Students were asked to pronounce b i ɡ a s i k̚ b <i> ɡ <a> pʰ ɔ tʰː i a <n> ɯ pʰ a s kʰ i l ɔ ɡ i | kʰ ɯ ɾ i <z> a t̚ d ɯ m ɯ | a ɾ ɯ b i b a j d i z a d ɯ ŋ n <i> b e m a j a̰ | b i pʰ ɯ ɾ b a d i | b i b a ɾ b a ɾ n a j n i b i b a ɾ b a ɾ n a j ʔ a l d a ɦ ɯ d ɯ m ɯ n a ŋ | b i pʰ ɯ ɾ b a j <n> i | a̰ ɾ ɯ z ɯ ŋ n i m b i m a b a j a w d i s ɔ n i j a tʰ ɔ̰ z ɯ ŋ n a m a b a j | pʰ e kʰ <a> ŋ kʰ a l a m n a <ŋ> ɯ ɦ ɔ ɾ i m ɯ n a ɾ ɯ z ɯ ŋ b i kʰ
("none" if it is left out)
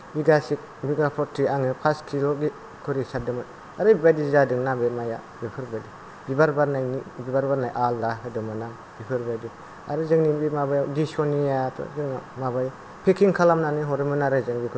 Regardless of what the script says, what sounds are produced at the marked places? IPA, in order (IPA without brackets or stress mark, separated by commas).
i, a, ŋ, s, a, d, i, n